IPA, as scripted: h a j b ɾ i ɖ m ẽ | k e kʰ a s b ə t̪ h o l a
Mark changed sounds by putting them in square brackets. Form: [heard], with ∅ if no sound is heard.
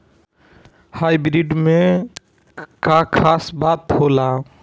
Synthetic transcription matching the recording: h a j b ɾ i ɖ m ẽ | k [a] kʰ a s b [a] t̪ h o l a